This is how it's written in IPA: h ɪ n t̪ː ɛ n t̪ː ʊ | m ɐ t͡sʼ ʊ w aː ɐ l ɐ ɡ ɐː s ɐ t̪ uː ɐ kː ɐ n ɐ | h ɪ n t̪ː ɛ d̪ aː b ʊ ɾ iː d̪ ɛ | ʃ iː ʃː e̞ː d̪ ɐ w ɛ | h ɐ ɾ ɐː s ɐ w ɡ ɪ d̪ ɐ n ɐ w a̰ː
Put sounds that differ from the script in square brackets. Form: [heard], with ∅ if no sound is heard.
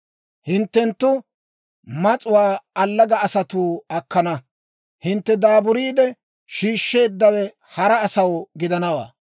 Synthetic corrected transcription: h ɪ n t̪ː ɛ n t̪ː ʊ | m ɐ t͡sʼ ʊ w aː ɐ [lː] ɐ ɡ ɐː s ɐ t̪ uː ɐ kː ɐ n ɐ | h ɪ n t̪ː ɛ d̪ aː b ʊ ɾ iː d̪ ɛ | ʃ iː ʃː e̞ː [d̪ː] ɐ w ɛ | h ɐ ɾ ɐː s ɐ w ɡ ɪ d̪ ɐ n ɐ w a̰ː